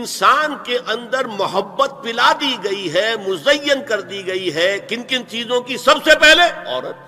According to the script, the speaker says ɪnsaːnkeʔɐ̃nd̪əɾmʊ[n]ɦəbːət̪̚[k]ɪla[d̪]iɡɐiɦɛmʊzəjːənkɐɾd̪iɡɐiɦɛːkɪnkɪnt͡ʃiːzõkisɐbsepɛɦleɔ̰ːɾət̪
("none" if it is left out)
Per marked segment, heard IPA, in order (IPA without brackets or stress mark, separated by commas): none, p, d̪